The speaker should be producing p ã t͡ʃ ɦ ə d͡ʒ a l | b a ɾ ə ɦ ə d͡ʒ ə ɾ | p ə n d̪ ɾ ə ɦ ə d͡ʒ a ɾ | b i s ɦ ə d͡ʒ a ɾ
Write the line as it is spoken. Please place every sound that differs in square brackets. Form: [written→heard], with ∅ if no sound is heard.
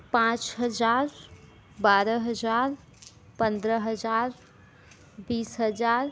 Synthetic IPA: p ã t͡ʃ ɦ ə d͡ʒ a [l→ɾ] | b a ɾ ə ɦ ə d͡ʒ [ə→a] ɾ | p ə n d̪ ɾ ə ɦ ə d͡ʒ a ɾ | b i s ɦ ə d͡ʒ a ɾ